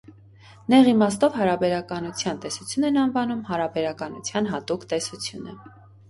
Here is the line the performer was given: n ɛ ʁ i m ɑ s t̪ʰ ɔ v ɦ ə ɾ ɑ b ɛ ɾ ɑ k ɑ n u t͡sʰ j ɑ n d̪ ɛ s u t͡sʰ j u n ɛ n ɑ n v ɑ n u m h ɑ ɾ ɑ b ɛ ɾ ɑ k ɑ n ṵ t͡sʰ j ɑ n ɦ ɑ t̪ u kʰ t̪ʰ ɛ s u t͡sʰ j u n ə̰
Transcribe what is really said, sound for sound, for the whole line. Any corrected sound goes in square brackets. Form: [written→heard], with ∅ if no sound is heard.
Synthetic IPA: n ɛ ʁ i m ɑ s [t̪ʰ→t̪] ɔ v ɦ [ə→ɑ] ɾ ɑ b ɛ ɾ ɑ k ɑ n u t͡sʰ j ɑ n [d̪→t̪] ɛ s u t͡sʰ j u n ɛ n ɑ n v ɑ n u m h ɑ ɾ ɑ b ɛ ɾ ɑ k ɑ n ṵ t͡sʰ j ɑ n ɦ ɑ t̪ u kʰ [t̪ʰ→t̪] ɛ s u t͡sʰ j u n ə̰

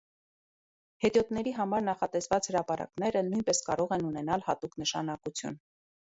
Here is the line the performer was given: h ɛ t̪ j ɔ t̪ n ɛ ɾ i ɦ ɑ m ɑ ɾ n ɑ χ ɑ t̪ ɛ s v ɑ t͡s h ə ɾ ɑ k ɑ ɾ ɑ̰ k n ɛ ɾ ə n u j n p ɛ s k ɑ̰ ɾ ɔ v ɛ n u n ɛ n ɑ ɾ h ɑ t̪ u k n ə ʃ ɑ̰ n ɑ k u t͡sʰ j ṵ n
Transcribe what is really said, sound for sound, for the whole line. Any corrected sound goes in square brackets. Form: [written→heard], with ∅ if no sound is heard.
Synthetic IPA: h ɛ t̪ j ɔ t̪ n ɛ ɾ i ɦ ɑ m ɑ ɾ n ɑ χ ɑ t̪ ɛ s v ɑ t͡s h ə ɾ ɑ [k→p] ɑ ɾ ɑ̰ k n ɛ ɾ ə n u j n p ɛ s k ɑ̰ ɾ ɔ [v→ʁ] ɛ n u n ɛ n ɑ [ɾ→l] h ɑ t̪ u k n ə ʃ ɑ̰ n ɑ k u t͡sʰ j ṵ n

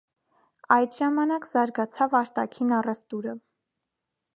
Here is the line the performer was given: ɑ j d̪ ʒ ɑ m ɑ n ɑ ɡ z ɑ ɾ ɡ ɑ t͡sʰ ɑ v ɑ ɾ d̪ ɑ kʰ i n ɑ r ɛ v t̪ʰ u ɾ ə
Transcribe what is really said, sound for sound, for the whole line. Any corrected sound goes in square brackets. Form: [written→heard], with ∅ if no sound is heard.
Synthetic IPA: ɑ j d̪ ʒ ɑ m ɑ n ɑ [ɡ→k] z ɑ ɾ ɡ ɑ t͡sʰ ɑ v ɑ ɾ [d̪→t̪] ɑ kʰ i n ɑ r ɛ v [t̪ʰ→t̪] u ɾ ə

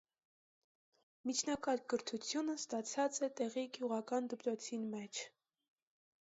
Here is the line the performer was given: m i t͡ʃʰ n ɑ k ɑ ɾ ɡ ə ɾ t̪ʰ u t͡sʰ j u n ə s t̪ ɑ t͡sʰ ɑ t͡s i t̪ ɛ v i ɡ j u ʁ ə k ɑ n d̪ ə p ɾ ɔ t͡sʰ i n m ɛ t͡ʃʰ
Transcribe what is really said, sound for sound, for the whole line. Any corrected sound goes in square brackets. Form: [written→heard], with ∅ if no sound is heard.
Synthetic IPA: m i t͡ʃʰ n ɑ k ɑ ɾ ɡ ə ɾ t̪ʰ u t͡sʰ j u n ə s t̪ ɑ t͡sʰ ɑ t͡s [i→ɛ] t̪ ɛ [v→ʁ] i ɡ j u ʁ [ə→ɑ] k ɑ n d̪ ə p ɾ ɔ t͡sʰ i n m ɛ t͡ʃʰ

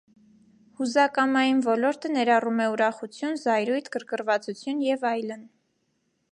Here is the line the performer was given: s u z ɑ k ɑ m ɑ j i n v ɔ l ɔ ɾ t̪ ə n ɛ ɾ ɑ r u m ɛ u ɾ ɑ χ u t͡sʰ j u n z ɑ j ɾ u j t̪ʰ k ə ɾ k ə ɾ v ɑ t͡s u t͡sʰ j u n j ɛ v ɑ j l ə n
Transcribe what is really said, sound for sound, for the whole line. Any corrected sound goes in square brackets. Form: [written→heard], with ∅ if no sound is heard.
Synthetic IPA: [s→h] u z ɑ k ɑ m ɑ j i n v ɔ l ɔ ɾ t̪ ə n ɛ ɾ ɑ r u m ɛ u ɾ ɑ χ u t͡sʰ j u n z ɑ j ɾ u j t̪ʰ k ə ɾ k ə ɾ v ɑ t͡s u t͡sʰ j u n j ɛ v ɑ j l ə n

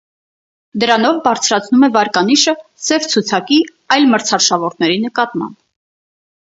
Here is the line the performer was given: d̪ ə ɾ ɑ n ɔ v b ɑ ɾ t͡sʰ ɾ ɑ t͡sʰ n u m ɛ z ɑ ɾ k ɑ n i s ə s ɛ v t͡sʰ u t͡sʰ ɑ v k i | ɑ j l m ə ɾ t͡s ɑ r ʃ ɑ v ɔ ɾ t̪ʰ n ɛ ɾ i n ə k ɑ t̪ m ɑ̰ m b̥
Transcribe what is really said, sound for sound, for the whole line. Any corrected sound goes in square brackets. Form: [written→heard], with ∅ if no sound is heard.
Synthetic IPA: d̪ ə ɾ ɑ n ɔ v b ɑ ɾ t͡sʰ ɾ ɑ t͡sʰ n u m ɛ [z→v] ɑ ɾ k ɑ n i [s→ʃ] ə s ɛ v t͡sʰ u t͡sʰ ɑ [v→∅] k i | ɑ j l m ə ɾ [t͡s→t͡sʰ] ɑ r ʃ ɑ v ɔ ɾ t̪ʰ n ɛ ɾ i n ə k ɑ t̪ m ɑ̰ m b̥

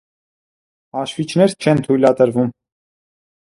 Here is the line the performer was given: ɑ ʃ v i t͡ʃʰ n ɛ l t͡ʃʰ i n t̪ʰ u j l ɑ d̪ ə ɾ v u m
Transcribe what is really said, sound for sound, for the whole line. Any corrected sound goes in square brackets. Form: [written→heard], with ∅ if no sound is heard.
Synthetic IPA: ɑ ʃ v i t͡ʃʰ n ɛ [l→ɾ] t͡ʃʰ [i→ɛ] n t̪ʰ u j l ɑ [d̪→t̪] ə ɾ v u m

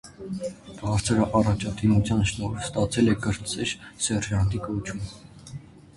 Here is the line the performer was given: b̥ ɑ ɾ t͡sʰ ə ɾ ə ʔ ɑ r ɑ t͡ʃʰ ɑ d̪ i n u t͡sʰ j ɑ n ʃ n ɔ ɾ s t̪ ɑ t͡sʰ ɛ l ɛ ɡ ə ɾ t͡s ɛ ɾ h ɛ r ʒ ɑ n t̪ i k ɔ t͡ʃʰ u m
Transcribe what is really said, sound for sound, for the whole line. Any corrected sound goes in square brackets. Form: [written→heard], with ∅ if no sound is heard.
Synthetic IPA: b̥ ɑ ɾ t͡sʰ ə ɾ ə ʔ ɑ r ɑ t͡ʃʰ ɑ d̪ i [n→m] u t͡sʰ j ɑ n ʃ n ɔ ɾ s t̪ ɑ t͡sʰ ɛ l ɛ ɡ ə ɾ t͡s ɛ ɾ [h→s] ɛ r ʒ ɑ n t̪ i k ɔ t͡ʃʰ u m

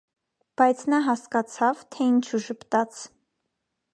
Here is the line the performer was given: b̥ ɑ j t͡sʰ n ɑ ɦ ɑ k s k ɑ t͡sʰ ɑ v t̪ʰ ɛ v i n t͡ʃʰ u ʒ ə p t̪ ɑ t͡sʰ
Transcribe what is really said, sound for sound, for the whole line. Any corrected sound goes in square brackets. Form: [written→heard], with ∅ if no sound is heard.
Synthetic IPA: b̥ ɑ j t͡sʰ n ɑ ɦ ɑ [k→∅] s k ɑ t͡sʰ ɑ v t̪ʰ ɛ [v→∅] i n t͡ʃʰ u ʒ ə p t̪ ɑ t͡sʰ

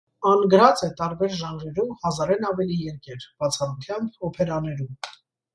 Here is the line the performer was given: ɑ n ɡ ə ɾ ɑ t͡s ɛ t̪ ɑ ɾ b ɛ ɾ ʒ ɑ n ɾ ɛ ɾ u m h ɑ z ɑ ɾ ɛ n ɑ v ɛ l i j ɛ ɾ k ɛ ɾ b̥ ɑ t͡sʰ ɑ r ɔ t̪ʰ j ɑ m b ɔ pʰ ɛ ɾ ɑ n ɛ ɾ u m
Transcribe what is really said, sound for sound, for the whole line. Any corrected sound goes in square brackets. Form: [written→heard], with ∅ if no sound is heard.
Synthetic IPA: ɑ n ɡ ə ɾ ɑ t͡s ɛ t̪ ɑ ɾ b ɛ ɾ ʒ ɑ n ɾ ɛ ɾ u m h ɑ z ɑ ɾ ɛ n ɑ v ɛ l i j ɛ ɾ k ɛ ɾ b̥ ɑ t͡sʰ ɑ r [ɔ→u] t̪ʰ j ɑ m b ɔ pʰ ɛ ɾ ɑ n ɛ ɾ u m

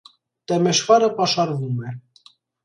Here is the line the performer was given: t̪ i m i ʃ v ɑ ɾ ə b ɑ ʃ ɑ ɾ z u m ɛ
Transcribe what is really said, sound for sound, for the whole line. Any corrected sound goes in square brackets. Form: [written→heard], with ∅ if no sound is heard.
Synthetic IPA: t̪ [i→ɛ] m [i→ɛ] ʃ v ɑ ɾ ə [b→p] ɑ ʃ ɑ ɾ [z→v] u m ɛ

